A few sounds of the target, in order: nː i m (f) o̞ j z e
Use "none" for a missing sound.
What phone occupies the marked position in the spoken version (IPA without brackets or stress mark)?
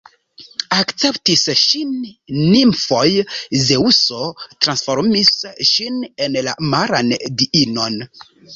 f